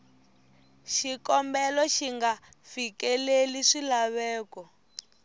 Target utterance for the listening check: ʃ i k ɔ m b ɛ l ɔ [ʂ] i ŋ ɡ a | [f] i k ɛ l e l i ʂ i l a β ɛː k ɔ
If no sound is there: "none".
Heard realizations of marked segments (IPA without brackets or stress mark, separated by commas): ʃ, f